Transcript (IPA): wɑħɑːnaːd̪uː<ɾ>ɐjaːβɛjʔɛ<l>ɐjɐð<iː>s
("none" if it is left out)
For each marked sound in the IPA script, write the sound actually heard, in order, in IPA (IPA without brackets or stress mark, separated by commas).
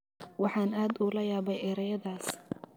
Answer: l, ɾ, aː